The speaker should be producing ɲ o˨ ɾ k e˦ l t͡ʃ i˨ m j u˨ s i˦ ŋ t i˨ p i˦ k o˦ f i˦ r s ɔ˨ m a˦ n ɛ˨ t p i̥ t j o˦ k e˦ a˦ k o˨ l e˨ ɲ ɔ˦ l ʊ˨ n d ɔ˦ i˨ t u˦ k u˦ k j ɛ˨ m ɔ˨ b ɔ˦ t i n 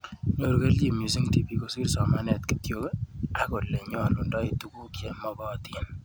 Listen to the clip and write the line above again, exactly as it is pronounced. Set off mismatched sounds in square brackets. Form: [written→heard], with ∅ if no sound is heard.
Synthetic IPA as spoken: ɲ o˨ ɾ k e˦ l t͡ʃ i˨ m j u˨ s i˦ ŋ t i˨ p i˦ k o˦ [f→s] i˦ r s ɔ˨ m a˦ n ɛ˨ t [p→k] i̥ t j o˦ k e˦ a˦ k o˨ l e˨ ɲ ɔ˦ l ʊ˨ n d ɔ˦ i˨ t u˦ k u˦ k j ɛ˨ m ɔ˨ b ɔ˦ t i n